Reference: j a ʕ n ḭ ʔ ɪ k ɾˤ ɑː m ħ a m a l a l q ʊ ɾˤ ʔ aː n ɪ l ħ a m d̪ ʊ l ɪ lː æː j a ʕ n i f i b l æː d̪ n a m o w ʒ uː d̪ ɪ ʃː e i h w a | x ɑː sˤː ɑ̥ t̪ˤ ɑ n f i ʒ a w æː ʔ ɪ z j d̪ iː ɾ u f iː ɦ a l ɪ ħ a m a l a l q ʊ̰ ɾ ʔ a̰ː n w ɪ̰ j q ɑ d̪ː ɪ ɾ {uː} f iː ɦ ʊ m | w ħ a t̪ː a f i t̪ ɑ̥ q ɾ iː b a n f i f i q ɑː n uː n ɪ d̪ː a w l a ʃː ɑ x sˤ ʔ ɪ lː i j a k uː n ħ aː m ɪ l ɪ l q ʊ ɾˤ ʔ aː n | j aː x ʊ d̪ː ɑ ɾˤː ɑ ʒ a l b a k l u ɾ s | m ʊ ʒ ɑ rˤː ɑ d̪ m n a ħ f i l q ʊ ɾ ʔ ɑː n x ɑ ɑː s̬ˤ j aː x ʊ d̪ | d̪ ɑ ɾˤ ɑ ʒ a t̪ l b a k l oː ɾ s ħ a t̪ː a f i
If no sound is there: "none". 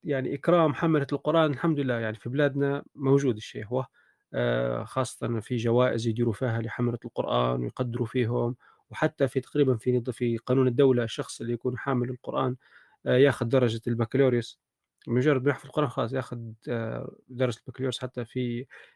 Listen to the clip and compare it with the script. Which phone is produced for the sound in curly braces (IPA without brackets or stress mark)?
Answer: u